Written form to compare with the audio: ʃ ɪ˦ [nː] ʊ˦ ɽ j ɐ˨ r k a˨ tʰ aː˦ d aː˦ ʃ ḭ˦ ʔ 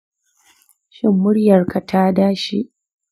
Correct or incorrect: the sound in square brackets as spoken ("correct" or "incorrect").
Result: incorrect